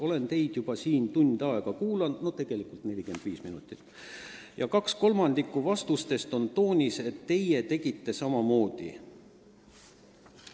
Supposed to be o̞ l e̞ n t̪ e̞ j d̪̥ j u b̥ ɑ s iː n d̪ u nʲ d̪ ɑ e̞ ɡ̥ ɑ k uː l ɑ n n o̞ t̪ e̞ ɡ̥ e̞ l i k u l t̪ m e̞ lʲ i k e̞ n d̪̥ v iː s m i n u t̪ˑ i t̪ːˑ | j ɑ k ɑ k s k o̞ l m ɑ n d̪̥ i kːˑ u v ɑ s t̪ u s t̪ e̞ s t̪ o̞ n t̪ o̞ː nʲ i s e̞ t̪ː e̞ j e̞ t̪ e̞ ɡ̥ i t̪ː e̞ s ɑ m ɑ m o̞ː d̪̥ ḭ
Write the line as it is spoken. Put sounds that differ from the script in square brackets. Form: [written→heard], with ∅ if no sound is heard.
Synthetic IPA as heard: o̞ l e̞ n t̪ e̞ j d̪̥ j u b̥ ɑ s iː n [d̪→t̪] u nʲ d̪ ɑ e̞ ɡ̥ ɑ k uː l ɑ n n o̞ t̪ e̞ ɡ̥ e̞ l i k u l t̪ [m→n] e̞ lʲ i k e̞ n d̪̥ v iː s m i n u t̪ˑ i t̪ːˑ | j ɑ k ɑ k s k o̞ l m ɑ n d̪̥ i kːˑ u v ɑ s t̪ u s t̪ e̞ s t̪ o̞ n t̪ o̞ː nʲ i s e̞ t̪ː e̞ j e̞ t̪ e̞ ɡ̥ i t̪ː e̞ s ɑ m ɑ m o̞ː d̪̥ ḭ